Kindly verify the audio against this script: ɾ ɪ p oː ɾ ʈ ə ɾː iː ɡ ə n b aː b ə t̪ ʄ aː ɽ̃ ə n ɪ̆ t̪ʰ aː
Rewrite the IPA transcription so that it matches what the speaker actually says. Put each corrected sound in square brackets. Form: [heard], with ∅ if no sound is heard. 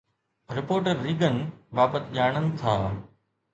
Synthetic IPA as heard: ɾ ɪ p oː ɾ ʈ ə ɾː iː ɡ ə n b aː b ə t̪ ʄ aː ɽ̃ ə n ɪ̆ t̪ʰ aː